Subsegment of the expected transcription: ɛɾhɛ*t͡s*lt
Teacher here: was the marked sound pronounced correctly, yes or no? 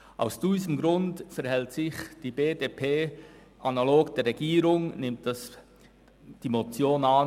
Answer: no